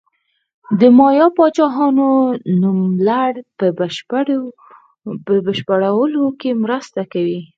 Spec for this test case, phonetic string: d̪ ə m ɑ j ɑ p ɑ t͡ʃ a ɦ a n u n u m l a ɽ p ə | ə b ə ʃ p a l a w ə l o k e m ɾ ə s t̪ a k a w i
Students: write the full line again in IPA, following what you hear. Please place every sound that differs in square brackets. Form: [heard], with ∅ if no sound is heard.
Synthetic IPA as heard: d̪ ə m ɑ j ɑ p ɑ t͡ʃ [ɑ] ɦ [ɑ] n [o] n u m l a ɽ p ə | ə b ə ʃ p a [ɽ] a w ə l o k e m ɾ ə s t̪ a k a w i